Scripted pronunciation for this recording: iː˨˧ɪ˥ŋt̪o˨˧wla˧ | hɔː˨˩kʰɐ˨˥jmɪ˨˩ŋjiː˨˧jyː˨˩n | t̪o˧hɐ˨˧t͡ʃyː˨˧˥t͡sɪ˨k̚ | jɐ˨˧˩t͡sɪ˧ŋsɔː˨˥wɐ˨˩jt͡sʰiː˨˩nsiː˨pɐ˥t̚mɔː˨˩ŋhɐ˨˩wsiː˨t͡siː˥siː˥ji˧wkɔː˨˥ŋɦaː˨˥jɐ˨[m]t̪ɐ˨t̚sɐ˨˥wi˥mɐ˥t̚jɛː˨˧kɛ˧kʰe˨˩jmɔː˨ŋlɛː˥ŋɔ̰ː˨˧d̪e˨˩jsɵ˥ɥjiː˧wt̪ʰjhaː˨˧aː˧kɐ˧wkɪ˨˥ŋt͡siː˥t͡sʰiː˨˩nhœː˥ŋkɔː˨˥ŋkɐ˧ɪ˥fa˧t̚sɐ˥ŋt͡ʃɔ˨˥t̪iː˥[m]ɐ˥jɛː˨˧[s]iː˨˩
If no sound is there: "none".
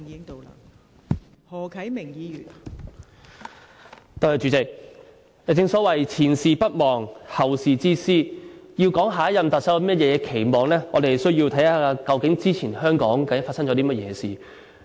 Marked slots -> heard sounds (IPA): m, m, s

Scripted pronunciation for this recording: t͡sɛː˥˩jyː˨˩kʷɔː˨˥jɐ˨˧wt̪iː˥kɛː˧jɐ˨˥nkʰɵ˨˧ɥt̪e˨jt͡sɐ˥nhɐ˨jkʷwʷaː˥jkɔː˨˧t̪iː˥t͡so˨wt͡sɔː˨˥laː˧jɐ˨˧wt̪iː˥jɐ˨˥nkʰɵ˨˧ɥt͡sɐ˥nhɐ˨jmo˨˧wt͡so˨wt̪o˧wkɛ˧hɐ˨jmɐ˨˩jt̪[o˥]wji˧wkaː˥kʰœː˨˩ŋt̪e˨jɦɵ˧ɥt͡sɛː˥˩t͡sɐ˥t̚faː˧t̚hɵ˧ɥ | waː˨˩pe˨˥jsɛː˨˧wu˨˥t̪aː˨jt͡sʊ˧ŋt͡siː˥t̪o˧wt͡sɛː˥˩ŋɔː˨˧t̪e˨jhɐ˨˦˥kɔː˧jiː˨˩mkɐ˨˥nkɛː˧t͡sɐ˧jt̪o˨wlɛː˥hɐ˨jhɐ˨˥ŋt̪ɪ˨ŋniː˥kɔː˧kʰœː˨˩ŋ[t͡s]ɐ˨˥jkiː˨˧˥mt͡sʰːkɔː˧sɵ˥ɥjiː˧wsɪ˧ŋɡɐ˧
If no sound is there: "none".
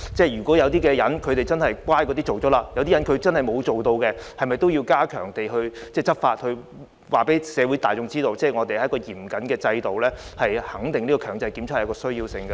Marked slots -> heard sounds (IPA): o˥, t͡s

